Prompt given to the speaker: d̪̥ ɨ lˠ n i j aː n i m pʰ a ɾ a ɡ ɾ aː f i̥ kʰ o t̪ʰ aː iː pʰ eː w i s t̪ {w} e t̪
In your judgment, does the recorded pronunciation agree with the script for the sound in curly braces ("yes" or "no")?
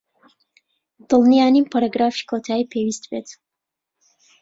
no